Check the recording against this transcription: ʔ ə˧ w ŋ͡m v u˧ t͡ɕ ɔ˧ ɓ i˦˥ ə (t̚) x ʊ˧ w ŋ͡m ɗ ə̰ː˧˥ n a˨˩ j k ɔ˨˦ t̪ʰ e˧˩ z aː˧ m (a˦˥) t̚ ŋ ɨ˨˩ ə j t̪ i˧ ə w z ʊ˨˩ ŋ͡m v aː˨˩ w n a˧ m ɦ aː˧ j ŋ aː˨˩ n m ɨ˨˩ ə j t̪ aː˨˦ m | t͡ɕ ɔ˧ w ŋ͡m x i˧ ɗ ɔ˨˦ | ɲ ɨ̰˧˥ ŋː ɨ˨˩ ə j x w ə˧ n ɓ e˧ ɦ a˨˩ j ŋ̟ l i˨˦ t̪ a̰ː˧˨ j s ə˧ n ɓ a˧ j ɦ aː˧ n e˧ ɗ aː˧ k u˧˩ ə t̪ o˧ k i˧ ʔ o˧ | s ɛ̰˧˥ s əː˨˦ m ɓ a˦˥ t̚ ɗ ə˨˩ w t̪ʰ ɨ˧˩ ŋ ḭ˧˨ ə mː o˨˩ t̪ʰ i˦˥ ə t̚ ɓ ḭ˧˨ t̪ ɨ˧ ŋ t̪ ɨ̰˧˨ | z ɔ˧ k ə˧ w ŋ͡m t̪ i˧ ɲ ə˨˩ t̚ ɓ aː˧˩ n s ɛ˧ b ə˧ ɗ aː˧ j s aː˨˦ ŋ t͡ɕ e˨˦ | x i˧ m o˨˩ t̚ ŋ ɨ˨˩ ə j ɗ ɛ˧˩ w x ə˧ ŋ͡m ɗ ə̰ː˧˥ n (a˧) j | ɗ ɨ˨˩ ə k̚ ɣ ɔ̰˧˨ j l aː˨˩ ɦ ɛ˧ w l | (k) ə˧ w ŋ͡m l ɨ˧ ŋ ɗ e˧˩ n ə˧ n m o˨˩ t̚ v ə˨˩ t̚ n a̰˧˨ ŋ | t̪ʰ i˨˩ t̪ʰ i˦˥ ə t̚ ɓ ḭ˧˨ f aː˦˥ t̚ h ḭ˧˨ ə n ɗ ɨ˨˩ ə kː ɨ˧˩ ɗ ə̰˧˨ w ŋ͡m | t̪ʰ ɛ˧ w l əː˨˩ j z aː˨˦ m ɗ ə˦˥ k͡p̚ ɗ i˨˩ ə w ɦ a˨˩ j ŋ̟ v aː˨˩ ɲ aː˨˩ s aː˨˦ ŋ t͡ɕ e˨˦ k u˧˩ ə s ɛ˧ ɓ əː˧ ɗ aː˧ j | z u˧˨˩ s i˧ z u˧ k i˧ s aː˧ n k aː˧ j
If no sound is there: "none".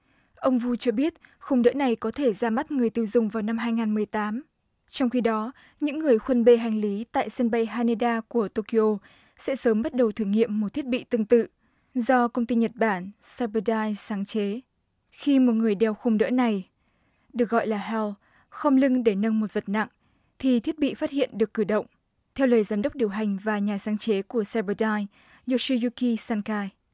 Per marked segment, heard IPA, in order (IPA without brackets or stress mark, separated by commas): t̚, a˦˥, a˨˩, x